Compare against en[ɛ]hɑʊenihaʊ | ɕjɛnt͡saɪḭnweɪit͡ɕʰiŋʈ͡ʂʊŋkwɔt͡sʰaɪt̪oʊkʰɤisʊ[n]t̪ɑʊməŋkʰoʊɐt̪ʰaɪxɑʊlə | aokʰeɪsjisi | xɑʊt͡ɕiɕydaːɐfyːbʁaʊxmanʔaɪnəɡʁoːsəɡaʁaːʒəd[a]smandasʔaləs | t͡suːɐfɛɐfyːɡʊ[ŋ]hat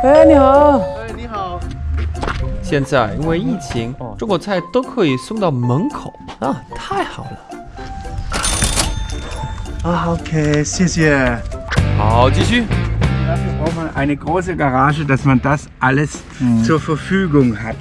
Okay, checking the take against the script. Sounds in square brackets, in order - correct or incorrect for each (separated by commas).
incorrect, incorrect, correct, correct